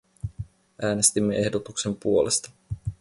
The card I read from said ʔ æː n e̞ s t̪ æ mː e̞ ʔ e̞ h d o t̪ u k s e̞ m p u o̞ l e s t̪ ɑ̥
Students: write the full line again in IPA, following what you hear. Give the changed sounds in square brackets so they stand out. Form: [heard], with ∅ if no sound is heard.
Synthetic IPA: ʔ æː n e̞ s t̪ [i] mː e̞ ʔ e̞ h d o t̪ u k s e̞ m p u o̞ l e s t̪ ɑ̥